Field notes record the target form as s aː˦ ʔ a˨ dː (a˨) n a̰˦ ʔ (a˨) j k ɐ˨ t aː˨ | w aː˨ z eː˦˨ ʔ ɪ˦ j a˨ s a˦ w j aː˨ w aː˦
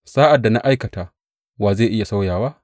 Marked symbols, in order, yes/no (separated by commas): yes, no